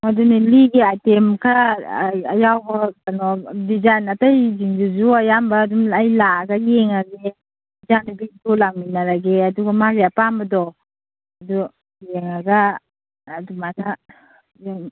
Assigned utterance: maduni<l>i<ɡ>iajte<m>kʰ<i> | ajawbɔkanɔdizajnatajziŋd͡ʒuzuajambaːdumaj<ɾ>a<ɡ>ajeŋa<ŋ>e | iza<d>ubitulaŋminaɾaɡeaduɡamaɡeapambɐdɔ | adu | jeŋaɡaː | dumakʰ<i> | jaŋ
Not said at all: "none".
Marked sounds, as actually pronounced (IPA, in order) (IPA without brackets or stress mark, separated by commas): l, ɡ, m, a, l, ɡ, ɡ, n, a